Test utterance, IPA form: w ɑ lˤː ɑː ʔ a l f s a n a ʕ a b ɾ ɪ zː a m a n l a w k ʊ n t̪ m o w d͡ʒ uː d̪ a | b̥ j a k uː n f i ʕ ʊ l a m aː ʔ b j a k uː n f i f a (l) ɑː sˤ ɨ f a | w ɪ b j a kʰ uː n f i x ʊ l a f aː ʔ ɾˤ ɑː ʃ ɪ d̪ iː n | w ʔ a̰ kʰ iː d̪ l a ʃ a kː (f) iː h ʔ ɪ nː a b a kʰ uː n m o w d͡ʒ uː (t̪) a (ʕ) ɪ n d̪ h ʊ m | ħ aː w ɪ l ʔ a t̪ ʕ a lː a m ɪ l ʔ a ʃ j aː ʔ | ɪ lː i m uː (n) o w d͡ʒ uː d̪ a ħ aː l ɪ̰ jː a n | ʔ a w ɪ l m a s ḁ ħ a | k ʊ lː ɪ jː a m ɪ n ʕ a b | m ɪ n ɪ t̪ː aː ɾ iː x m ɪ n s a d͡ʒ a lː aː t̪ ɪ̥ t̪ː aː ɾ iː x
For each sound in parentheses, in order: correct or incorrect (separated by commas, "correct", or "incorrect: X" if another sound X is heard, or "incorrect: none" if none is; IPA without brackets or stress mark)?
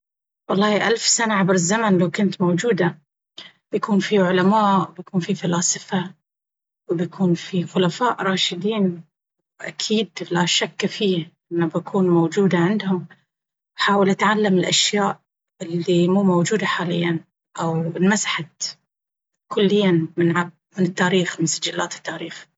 correct, correct, incorrect: d̪, correct, incorrect: m